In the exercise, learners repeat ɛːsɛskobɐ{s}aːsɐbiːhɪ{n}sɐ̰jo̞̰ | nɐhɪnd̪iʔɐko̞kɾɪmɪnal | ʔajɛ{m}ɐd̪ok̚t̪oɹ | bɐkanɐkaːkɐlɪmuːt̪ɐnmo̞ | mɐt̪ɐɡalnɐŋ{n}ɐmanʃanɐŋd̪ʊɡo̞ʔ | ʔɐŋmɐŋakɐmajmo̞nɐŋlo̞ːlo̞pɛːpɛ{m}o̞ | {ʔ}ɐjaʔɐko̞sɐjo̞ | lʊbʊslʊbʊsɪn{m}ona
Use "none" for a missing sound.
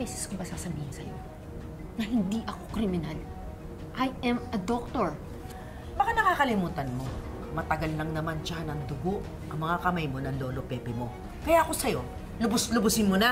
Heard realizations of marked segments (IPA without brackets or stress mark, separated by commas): s, n, m, n, m, k, m